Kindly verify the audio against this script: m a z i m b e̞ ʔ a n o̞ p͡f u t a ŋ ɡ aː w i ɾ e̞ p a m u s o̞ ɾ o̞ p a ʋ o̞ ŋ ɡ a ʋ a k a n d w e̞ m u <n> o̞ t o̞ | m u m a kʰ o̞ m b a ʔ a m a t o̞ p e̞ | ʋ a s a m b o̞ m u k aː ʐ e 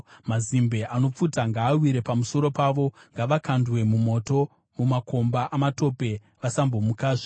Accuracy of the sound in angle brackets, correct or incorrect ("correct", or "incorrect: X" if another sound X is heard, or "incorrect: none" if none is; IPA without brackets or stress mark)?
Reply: incorrect: m